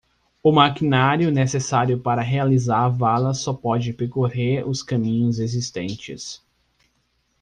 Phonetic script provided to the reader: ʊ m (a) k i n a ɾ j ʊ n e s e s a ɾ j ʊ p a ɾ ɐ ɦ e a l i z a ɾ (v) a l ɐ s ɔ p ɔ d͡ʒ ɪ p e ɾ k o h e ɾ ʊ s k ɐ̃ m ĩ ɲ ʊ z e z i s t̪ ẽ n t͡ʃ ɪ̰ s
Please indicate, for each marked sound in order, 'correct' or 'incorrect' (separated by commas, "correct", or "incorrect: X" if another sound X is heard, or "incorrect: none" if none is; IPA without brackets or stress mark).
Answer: correct, correct